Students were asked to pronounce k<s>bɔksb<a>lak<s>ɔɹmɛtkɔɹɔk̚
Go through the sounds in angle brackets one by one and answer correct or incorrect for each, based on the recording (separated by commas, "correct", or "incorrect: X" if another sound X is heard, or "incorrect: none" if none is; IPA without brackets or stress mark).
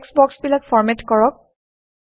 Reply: correct, incorrect: i, incorrect: f